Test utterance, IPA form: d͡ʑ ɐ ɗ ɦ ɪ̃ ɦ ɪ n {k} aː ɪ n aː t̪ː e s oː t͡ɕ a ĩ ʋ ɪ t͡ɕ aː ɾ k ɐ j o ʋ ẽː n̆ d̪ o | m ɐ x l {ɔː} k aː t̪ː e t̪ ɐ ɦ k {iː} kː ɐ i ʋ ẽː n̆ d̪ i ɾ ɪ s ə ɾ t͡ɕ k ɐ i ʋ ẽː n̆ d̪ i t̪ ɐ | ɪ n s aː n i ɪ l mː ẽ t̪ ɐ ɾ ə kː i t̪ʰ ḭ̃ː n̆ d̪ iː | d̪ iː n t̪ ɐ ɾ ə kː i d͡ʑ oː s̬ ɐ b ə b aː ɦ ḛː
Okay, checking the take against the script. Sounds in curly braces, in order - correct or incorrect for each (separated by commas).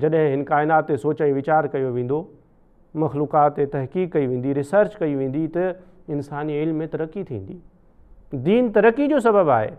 correct, incorrect, correct